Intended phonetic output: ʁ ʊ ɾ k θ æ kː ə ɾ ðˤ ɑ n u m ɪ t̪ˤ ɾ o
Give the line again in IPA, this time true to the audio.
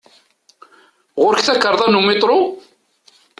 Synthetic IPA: ʁ ʊ ɾ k θ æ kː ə ɾ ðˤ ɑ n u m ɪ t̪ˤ ɾ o